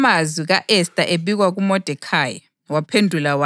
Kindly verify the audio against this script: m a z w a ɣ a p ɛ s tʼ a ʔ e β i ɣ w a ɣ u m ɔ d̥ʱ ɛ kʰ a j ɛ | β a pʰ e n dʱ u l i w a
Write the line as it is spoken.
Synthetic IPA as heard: m a z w i ɣ a ʔ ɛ s tʼ a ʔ e β i ɣ w a ɣ u m ɔ d̥ʱ ɛ kʰ a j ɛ | w a pʰ e n dʱ u l a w a